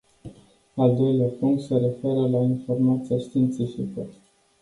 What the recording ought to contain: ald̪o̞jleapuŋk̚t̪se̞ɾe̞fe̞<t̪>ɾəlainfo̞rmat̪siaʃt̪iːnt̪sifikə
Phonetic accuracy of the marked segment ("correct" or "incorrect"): incorrect